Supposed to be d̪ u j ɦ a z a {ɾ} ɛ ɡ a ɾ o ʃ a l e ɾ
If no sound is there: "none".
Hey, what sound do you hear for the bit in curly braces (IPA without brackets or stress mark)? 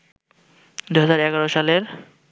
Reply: ɾ